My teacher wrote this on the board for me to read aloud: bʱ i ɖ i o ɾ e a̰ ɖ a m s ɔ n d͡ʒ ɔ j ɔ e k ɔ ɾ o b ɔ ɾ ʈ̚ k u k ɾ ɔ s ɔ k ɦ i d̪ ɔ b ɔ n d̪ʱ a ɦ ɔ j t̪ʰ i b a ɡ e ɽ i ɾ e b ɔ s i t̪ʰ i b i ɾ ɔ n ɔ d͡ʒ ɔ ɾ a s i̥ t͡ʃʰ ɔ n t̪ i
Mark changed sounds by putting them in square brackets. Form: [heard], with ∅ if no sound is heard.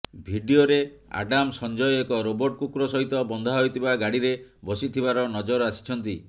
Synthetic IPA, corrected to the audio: bʱ i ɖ i o ɾ e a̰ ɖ a m s ɔ n d͡ʒ ɔ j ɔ e k ɔ ɾ o b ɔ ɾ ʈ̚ k u k ɾ ɔ s ɔ [∅] ɦ i [t̪] ɔ b ɔ n d̪ʱ a ɦ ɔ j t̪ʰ i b a ɡ [a] ɽ i ɾ e b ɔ s i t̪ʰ i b [a] ɾ ɔ n ɔ d͡ʒ ɔ ɾ a s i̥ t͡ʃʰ ɔ n t̪ i